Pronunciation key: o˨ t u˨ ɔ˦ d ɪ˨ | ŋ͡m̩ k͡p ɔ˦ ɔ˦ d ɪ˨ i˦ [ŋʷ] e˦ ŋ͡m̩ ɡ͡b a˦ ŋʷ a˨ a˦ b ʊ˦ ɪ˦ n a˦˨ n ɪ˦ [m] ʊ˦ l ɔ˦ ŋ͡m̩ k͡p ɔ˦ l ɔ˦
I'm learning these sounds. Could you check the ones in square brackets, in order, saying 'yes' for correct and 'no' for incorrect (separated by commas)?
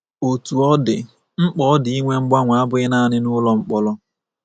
yes, no